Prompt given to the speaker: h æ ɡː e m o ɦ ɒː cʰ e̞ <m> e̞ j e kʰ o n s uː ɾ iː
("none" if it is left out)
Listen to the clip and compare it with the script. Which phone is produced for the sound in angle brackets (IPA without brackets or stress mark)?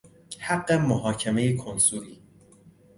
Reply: m